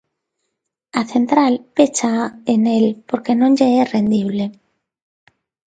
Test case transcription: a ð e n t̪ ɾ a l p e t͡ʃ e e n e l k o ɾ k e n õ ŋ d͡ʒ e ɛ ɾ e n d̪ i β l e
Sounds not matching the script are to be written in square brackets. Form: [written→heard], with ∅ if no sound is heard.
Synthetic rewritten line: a [ð→θ] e n t̪ ɾ a l p e t͡ʃ [e→a] e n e l [k→p] o ɾ k e n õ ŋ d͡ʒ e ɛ [ɾ→r] e n d̪ i β l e